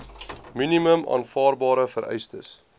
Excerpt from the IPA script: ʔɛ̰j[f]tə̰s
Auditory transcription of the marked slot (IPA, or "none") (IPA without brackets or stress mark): s